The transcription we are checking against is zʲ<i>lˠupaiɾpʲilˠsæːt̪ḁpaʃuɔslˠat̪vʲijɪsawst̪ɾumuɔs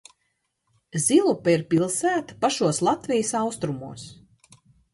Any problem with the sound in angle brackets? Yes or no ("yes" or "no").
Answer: no